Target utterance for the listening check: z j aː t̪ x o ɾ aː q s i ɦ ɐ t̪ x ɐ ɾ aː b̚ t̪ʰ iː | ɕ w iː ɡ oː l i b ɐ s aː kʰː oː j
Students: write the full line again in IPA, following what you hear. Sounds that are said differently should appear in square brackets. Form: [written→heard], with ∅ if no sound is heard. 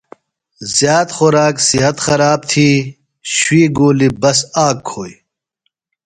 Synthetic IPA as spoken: z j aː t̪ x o ɾ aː [q→k] s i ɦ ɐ t̪ x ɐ ɾ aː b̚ t̪ʰ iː | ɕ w iː ɡ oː l i b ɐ s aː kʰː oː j